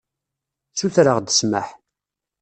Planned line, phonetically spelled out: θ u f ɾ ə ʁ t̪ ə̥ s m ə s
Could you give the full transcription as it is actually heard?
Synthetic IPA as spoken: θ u θ ɾ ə ʁ d̪ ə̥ s m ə ħ